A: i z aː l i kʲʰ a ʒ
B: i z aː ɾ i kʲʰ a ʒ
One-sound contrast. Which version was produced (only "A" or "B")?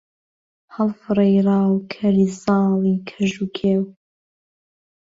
A